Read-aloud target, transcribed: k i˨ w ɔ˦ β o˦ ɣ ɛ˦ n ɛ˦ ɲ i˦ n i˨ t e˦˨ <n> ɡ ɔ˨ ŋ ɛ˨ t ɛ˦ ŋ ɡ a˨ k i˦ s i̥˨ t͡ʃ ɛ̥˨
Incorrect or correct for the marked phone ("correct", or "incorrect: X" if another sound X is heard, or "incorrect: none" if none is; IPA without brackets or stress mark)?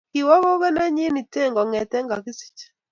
incorrect: ŋ